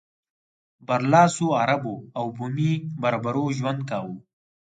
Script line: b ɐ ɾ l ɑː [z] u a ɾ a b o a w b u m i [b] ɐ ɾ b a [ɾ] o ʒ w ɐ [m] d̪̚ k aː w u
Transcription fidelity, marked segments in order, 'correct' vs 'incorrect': incorrect, correct, correct, incorrect

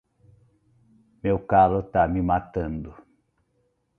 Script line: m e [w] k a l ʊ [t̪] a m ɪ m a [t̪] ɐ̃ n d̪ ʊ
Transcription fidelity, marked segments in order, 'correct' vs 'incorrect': correct, correct, correct

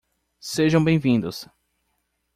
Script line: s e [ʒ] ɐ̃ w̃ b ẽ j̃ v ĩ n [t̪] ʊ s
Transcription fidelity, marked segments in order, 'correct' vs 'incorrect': correct, incorrect

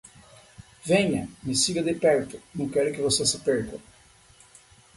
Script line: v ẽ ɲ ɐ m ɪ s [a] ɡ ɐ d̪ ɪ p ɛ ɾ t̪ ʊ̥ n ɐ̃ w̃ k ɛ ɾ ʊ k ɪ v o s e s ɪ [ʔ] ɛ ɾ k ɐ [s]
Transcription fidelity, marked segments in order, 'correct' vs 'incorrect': incorrect, incorrect, incorrect

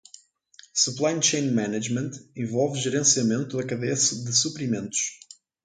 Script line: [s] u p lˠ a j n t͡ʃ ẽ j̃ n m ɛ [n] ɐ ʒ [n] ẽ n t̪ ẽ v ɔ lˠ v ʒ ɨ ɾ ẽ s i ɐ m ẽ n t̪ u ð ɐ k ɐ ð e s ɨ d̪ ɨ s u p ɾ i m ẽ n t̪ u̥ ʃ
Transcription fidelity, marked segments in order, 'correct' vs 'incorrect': correct, correct, incorrect

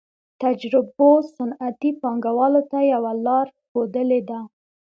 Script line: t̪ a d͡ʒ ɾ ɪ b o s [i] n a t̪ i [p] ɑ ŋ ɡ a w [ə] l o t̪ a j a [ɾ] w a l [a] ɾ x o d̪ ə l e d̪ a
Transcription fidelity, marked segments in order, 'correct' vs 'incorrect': incorrect, correct, incorrect, incorrect, incorrect

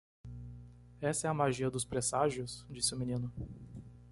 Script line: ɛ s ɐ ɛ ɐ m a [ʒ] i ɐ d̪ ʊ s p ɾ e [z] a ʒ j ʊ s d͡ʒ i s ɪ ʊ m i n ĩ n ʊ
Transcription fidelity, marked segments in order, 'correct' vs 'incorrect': correct, incorrect

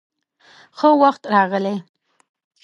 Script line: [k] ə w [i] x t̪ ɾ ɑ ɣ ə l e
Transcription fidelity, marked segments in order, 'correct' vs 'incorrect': incorrect, incorrect

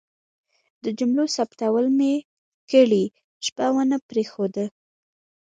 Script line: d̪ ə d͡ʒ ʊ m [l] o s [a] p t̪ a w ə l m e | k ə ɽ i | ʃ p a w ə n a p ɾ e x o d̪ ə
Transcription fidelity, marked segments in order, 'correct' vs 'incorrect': correct, correct

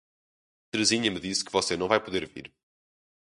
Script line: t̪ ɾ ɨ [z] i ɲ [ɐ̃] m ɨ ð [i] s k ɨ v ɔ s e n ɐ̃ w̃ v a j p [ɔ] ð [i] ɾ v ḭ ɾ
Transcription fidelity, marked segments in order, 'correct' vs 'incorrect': correct, incorrect, correct, incorrect, incorrect

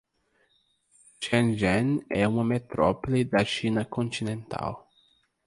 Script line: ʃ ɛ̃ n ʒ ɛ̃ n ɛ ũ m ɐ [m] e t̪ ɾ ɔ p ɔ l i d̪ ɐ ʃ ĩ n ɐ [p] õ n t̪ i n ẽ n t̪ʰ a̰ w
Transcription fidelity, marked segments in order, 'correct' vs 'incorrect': correct, incorrect

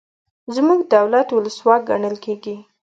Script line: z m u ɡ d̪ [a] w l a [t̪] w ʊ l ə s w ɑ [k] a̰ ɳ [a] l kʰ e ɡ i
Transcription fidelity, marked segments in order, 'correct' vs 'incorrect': correct, correct, incorrect, incorrect

